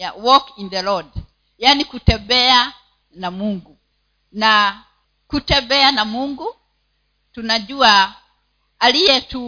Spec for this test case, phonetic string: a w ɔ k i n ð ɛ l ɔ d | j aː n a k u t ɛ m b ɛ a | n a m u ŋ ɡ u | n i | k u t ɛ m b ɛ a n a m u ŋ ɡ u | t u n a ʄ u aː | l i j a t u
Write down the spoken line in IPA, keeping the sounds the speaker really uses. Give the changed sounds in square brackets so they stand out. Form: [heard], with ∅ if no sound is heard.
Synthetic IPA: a w ɔ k i n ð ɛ l ɔ d | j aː n [i] k u t ɛ m b ɛ a | n a m u ŋ ɡ u | n [a] | k u t ɛ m b ɛ a n a m u ŋ ɡ u | t u n a ʄ u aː | l i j [ɛ] t u